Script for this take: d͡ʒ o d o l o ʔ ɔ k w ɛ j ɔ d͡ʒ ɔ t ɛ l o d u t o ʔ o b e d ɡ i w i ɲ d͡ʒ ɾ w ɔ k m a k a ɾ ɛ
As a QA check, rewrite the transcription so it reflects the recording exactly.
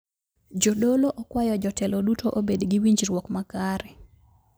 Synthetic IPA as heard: d͡ʒ o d o l o ʔ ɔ k w a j ɔ d͡ʒ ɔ t ɛ l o d u t o ʔ o b e d ɡ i w i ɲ d͡ʒ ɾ w ɔ k m a k a ɾ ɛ